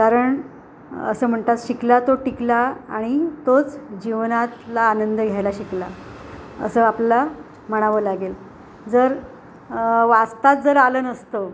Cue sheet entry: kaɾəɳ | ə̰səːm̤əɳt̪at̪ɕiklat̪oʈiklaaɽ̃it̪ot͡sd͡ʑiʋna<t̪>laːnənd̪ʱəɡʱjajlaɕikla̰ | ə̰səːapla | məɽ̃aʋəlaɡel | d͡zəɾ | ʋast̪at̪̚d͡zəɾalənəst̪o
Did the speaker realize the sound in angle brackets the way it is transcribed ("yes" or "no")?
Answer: yes